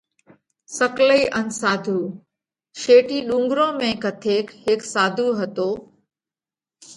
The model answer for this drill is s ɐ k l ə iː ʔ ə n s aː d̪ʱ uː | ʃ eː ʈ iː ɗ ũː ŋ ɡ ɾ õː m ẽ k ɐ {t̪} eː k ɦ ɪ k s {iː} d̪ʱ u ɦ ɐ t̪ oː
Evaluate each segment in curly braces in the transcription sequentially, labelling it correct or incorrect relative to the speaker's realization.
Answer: incorrect, incorrect

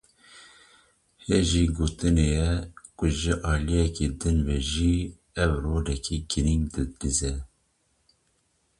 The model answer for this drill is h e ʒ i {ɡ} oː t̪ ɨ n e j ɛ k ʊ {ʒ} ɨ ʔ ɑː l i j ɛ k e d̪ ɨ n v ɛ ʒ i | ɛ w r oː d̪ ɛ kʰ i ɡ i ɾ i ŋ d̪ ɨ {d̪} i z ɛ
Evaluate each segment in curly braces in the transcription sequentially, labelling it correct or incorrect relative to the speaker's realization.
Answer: correct, correct, correct

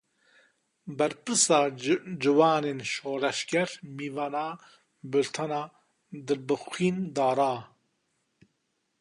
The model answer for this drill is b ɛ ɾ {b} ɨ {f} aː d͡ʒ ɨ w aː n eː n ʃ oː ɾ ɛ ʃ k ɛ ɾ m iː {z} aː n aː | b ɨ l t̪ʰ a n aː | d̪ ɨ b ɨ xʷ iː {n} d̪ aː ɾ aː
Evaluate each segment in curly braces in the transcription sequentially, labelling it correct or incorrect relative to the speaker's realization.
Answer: incorrect, incorrect, incorrect, correct

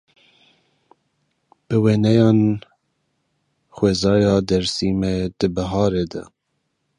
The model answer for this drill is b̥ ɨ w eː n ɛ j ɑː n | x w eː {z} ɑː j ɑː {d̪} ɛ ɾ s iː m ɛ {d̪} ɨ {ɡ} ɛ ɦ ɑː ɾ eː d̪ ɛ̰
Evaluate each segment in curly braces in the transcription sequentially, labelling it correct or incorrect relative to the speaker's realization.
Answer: correct, correct, correct, incorrect

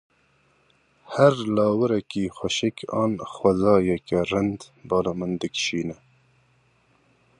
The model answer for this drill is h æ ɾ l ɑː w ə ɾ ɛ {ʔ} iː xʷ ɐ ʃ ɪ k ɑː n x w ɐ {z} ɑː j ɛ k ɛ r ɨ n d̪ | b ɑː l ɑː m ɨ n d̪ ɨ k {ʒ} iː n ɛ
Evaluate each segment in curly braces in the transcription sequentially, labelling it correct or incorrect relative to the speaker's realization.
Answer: incorrect, correct, incorrect

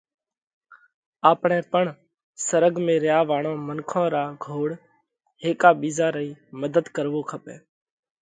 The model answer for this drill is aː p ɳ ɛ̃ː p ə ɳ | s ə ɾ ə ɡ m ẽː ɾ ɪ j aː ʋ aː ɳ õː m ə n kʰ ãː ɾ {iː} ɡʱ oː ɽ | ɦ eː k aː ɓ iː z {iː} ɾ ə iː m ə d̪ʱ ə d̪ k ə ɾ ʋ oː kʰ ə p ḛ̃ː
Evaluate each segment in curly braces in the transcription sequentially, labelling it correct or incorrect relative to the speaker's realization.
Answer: incorrect, incorrect

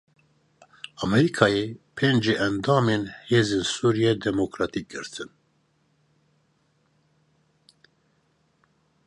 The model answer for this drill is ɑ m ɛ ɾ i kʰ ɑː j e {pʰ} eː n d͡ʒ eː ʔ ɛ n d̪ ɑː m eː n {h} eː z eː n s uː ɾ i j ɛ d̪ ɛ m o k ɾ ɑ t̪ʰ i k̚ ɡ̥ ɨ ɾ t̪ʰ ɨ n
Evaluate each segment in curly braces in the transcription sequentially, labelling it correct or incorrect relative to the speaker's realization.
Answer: correct, correct

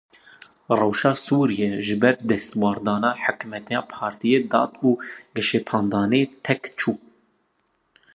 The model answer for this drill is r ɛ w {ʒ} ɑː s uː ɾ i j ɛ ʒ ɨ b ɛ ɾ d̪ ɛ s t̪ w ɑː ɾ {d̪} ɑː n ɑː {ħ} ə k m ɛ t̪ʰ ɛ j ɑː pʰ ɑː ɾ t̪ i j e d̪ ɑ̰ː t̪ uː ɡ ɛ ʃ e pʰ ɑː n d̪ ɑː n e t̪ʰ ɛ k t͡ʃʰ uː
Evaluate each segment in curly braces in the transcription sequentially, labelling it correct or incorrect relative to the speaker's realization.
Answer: incorrect, correct, correct

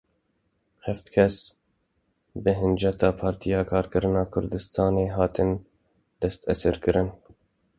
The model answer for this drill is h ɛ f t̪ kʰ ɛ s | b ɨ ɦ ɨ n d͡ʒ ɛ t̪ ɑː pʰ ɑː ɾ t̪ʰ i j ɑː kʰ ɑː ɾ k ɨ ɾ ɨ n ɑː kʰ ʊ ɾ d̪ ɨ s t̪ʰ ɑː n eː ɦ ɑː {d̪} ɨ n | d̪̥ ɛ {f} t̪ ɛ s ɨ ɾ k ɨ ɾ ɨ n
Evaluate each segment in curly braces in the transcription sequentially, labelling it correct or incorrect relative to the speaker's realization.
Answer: incorrect, incorrect

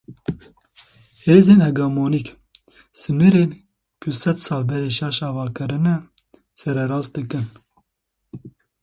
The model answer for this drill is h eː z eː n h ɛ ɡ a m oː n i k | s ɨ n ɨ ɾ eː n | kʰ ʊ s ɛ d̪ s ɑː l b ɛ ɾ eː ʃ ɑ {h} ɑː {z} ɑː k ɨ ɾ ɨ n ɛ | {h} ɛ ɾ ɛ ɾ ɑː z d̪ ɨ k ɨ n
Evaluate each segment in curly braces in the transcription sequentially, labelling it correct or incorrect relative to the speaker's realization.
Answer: incorrect, incorrect, incorrect

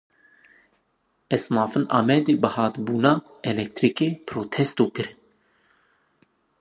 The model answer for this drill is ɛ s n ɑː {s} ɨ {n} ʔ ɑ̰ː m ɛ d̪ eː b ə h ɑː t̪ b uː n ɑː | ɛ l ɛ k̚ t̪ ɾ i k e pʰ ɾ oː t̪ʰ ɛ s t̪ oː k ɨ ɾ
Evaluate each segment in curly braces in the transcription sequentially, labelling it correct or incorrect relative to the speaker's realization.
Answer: incorrect, correct

